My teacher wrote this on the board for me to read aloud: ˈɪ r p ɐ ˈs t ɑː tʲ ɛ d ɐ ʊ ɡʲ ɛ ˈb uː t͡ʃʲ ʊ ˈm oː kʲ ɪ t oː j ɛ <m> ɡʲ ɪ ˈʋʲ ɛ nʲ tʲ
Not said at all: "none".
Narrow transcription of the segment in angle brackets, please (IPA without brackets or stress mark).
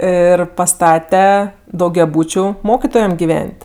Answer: m